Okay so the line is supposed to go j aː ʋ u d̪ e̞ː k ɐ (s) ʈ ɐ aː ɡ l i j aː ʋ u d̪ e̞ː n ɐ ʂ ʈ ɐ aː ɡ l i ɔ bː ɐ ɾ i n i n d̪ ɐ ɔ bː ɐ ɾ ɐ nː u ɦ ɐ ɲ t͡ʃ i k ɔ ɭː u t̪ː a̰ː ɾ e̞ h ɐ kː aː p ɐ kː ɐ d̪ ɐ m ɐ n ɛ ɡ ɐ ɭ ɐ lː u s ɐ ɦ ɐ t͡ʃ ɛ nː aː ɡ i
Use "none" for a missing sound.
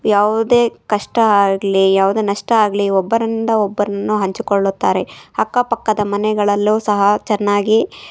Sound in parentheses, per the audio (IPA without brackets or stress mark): ʂ